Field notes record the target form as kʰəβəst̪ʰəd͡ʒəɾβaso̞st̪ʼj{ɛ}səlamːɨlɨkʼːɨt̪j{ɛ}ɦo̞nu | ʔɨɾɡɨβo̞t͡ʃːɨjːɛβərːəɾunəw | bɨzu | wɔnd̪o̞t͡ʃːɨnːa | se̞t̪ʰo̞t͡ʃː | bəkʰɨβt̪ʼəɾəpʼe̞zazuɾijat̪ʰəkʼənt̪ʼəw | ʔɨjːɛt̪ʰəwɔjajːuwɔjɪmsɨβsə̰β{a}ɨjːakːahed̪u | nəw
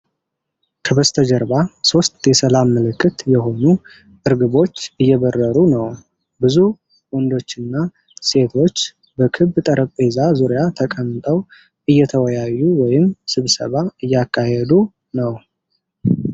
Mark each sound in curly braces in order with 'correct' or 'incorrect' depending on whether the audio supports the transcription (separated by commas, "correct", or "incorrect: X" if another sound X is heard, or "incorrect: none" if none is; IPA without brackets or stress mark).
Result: correct, correct, correct